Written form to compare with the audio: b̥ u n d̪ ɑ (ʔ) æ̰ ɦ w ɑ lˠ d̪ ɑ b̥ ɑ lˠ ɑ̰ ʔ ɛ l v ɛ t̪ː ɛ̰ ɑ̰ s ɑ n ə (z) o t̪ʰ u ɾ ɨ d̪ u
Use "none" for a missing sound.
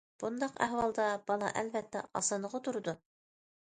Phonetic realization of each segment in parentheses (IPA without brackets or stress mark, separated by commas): q, ʁ